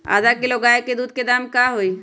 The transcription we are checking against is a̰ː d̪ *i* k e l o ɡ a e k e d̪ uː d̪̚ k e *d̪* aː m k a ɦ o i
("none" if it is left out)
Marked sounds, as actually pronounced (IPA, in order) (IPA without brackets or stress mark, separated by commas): a, d̪